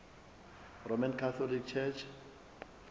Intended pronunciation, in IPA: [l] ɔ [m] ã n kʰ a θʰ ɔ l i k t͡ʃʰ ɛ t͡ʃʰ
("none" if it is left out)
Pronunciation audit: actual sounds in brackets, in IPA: r, m

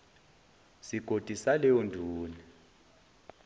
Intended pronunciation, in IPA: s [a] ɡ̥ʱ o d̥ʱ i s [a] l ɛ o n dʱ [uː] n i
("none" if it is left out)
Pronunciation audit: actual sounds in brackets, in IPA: i, a, uː

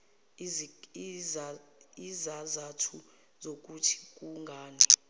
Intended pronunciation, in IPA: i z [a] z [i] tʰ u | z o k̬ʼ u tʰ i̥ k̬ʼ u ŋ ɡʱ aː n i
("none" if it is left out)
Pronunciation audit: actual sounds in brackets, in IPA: a, a

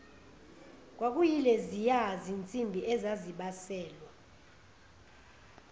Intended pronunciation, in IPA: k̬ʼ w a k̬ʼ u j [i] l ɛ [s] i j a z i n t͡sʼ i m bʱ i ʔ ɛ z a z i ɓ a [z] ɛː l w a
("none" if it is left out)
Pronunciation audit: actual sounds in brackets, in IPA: i, z, s

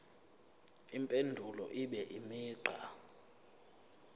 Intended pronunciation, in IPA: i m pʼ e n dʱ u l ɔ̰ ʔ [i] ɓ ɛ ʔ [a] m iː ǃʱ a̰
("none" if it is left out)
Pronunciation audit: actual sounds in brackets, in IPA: i, i

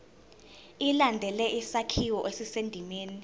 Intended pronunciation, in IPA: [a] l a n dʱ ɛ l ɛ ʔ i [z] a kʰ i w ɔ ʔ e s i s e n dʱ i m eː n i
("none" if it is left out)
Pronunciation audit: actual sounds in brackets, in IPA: i, s

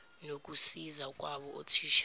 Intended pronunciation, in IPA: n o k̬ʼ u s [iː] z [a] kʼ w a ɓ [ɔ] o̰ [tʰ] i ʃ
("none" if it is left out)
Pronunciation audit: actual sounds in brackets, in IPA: i, a, ɔ, tʰ

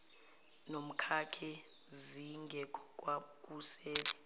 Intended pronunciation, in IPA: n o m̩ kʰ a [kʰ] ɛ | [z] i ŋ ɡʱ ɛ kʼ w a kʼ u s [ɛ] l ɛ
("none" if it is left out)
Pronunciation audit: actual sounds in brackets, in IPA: kʰ, z, ɛː

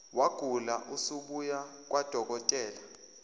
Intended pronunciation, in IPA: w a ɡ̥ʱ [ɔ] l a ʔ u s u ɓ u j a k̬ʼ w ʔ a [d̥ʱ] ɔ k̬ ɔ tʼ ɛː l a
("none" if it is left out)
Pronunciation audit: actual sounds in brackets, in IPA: u, d̥ʱ

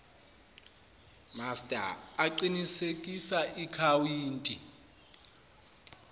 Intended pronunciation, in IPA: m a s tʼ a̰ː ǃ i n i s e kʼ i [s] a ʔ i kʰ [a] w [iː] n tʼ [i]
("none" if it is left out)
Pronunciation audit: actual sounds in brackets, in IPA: s, a, iː, i

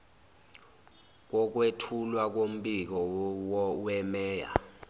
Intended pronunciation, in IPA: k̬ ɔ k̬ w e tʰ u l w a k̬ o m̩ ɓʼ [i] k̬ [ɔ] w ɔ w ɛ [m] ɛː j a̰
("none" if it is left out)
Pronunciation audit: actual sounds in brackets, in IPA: i, ɔ, m

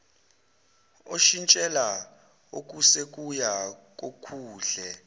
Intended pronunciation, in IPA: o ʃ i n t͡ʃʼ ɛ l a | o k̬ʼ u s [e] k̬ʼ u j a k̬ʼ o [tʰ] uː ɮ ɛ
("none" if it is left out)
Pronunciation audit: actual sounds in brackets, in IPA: e, kʰ

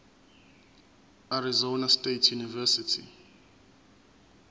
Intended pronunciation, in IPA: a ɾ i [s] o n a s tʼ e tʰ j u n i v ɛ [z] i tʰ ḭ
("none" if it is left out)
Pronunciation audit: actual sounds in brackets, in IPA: z, s

